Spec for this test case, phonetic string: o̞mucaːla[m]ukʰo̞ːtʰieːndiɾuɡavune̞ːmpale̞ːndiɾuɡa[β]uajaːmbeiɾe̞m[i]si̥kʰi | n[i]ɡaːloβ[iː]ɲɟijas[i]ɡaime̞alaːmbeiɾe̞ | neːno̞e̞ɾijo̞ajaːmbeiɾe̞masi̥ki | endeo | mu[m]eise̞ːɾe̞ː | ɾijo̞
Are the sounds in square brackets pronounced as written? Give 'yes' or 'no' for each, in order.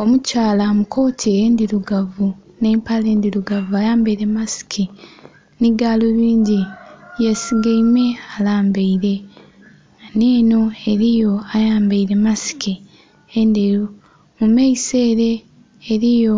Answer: yes, no, no, yes, yes, yes, yes

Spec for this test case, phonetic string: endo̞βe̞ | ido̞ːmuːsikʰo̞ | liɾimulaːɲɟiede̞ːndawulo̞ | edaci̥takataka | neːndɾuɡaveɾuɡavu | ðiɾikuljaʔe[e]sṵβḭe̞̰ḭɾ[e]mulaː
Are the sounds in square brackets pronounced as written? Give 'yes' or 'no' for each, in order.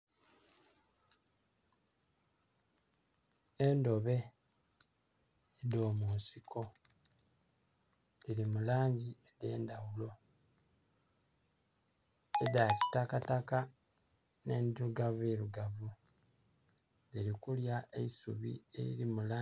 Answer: no, no

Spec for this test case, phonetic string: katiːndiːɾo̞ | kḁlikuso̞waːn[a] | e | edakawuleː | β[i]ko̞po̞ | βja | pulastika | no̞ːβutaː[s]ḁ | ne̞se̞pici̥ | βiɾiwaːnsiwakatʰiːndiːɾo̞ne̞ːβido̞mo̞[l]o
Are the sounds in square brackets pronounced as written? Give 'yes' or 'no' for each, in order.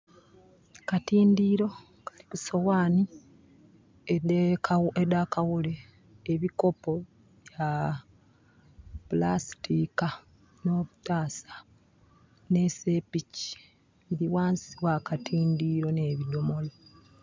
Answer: no, yes, yes, yes

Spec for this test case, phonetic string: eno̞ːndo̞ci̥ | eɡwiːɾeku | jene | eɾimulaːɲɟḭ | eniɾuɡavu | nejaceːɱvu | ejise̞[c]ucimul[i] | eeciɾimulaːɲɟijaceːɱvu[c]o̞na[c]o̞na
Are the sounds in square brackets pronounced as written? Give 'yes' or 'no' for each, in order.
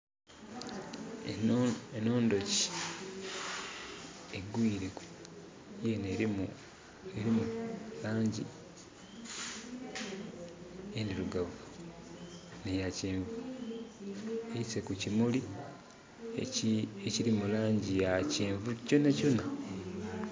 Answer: no, yes, yes, yes

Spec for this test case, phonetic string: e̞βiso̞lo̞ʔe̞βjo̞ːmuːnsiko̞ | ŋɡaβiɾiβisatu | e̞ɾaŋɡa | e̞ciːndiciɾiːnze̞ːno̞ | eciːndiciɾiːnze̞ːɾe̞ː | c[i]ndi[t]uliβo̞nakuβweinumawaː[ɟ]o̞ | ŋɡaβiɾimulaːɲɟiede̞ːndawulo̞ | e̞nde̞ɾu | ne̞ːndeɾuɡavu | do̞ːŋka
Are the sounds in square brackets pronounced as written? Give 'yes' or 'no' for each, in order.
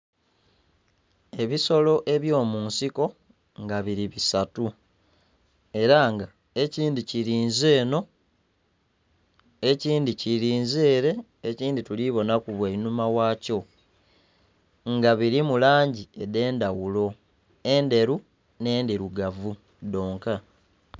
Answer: no, yes, no

